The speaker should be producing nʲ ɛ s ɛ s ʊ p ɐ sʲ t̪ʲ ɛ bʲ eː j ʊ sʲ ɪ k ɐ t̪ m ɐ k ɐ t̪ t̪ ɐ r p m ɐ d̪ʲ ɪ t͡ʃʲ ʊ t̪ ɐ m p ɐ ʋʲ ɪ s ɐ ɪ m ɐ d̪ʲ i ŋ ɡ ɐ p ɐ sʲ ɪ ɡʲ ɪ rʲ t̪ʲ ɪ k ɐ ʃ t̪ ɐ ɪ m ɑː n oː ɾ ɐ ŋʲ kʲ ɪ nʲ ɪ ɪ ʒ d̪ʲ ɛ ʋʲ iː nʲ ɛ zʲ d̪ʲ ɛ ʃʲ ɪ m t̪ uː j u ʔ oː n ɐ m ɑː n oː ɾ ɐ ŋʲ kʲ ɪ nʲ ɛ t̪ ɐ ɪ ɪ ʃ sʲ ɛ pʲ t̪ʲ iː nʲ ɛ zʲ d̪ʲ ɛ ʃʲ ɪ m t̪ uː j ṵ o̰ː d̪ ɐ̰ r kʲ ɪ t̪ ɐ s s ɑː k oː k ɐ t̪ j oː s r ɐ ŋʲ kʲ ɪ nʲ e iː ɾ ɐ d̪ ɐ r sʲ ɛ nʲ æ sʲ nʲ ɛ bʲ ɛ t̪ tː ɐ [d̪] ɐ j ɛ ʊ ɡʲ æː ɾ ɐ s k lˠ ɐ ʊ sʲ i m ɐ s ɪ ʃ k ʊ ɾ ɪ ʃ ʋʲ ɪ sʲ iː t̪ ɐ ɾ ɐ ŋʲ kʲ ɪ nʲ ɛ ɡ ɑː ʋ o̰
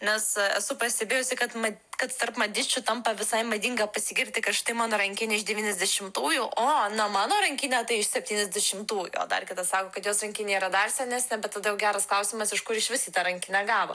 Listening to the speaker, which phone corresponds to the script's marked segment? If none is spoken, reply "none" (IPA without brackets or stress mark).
d̪